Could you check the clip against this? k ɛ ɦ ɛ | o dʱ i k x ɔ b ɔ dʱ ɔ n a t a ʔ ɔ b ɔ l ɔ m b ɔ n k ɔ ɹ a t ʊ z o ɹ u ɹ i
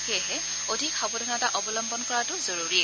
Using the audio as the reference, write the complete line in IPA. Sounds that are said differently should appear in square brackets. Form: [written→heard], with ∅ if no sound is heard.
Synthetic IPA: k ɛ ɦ ɛ | o dʱ i k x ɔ b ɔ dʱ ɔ n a t a ʔ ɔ b ɔ l ɔ m b ɔ n k ɔ ɹ a t ʊ z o ɹ u ɹ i